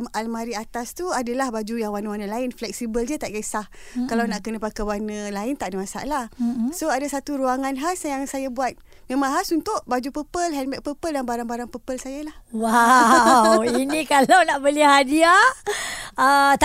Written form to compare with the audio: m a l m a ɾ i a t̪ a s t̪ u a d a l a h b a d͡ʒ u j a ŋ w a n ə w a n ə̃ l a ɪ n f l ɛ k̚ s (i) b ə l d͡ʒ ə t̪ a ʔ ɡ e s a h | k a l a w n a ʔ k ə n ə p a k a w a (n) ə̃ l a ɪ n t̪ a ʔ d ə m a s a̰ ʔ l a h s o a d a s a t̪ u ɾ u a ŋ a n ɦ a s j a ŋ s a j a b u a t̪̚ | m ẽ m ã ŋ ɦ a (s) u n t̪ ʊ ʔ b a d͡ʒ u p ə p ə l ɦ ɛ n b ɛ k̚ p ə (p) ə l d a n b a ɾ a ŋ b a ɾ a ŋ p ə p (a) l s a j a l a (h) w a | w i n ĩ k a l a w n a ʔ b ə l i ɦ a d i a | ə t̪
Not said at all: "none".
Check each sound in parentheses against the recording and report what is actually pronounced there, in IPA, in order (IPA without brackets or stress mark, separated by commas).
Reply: i, n, s, p, ə, h